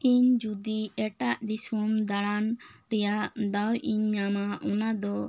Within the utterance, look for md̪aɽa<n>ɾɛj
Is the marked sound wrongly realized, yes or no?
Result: no